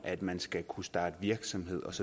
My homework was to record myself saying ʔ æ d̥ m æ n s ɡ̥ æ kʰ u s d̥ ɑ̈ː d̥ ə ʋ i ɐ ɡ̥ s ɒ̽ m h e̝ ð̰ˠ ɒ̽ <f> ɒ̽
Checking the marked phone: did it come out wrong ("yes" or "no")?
yes